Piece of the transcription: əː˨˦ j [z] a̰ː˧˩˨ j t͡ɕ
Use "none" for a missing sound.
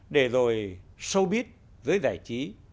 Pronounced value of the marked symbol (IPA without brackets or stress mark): z